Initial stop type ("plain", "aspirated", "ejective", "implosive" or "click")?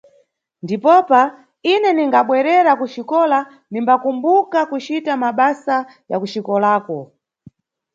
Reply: plain